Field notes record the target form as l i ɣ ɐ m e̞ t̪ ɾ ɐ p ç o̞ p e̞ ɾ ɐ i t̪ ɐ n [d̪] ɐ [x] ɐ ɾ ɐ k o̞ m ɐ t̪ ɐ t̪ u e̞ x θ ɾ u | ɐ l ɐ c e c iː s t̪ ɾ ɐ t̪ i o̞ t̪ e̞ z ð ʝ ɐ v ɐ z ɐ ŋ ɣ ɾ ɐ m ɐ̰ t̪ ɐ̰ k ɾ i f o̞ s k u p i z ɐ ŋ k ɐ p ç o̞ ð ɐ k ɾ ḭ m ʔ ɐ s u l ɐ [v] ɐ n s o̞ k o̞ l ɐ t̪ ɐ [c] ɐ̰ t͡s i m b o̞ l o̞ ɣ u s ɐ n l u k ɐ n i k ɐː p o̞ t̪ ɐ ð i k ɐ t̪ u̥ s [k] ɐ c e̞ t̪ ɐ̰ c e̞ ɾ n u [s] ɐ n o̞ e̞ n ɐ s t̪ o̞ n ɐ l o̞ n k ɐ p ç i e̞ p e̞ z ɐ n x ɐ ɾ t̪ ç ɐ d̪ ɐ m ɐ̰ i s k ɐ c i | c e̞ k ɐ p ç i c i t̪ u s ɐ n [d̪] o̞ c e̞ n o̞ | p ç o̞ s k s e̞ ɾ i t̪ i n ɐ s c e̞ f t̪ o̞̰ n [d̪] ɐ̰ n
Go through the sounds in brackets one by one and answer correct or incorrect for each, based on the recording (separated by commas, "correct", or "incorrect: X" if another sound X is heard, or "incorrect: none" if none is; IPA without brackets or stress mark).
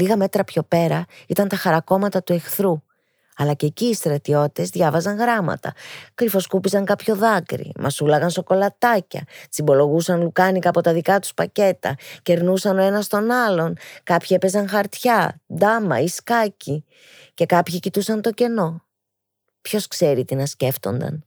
incorrect: t̪, correct, incorrect: ɣ, correct, incorrect: p, correct, incorrect: t̪, correct